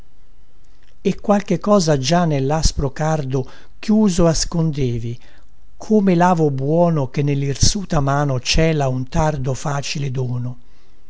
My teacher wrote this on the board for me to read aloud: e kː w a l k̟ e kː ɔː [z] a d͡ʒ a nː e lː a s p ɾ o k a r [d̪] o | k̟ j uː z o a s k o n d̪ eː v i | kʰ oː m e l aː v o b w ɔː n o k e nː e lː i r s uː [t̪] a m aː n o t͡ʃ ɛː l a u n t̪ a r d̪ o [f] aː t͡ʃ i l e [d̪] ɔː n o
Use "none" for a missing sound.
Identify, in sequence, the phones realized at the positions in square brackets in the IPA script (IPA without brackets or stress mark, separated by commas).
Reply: z, d̪, t̪, f, d̪